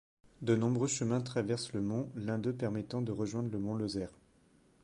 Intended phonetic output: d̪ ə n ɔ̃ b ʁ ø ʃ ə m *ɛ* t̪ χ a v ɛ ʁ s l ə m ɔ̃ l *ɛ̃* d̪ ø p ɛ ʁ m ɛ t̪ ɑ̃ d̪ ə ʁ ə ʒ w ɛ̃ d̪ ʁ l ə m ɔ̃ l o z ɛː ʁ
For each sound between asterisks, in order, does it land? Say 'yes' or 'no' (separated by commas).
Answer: no, yes